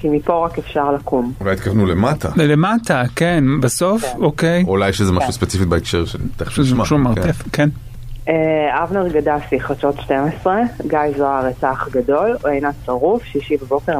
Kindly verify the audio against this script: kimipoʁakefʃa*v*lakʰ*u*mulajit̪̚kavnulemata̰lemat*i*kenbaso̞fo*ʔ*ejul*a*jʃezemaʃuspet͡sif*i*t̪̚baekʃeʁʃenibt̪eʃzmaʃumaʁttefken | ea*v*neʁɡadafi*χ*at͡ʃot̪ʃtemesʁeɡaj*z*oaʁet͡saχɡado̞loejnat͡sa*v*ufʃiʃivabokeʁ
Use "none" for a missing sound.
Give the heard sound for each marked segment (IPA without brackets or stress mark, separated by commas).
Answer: ʁ, u, a, k, a, i, v, χ, z, ʁ